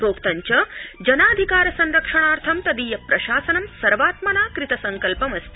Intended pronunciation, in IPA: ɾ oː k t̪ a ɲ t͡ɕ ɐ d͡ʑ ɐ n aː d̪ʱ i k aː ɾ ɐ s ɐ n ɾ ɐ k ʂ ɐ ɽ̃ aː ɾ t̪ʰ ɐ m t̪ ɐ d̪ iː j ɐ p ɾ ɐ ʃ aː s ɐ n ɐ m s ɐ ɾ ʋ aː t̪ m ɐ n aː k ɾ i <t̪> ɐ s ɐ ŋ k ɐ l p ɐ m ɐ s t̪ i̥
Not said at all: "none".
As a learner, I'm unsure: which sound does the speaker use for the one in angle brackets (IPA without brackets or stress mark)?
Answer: t̪